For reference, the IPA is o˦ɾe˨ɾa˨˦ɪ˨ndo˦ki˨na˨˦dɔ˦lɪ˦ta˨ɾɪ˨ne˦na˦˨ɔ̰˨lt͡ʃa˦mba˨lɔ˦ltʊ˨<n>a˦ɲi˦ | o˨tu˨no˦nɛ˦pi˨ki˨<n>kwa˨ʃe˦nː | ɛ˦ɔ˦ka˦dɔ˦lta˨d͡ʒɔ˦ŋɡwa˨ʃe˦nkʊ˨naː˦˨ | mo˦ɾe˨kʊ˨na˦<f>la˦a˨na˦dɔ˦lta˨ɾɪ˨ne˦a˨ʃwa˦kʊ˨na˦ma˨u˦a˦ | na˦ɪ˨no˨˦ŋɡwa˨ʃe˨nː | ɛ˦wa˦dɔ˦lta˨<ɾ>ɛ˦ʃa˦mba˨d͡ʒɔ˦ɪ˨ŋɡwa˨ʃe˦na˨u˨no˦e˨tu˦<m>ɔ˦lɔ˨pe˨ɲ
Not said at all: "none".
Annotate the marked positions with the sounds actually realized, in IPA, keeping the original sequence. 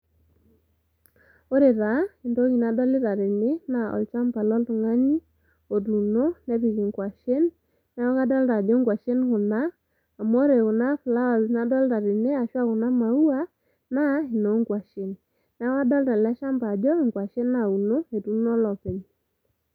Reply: ŋ, ŋ, f, l, n

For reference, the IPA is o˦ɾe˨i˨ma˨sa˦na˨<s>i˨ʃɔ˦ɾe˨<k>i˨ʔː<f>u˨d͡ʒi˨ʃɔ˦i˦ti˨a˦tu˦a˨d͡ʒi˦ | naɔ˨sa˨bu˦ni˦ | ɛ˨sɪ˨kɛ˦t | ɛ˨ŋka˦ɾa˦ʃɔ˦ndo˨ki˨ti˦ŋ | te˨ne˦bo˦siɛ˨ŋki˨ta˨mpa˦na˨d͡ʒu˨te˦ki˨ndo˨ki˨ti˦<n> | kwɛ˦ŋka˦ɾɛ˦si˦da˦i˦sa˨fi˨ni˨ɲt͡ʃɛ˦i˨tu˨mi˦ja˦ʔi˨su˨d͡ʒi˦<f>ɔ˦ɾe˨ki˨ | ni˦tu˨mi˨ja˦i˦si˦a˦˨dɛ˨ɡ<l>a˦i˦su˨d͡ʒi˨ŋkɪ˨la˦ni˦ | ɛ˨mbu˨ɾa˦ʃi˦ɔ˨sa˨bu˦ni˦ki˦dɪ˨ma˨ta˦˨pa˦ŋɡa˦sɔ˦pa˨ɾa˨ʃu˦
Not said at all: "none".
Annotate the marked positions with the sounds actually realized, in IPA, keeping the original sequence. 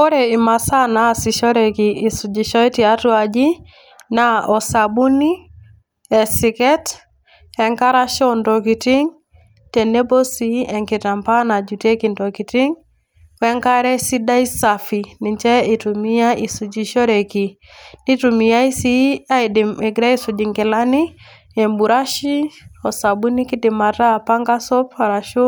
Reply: s, k, s, ŋ, ʃ, ɾ

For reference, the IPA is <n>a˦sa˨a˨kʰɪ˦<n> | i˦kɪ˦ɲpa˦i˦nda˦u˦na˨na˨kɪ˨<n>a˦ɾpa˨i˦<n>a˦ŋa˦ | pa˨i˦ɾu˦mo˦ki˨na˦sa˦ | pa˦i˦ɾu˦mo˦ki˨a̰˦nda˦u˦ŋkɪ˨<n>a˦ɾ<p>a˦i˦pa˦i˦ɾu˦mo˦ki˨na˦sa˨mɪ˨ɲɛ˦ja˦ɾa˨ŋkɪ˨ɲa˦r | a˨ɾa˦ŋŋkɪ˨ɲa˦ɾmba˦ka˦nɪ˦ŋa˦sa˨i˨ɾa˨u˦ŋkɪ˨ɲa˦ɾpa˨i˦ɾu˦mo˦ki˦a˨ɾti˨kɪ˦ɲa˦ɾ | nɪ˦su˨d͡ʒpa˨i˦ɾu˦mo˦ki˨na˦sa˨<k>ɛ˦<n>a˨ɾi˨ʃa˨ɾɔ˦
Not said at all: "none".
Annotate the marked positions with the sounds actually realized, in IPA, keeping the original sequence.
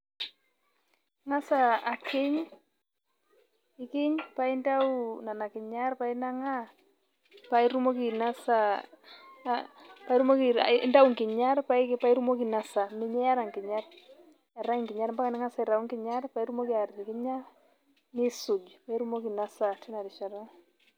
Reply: ŋ, ɲ, ɲ, n, ɲ, p, t, n

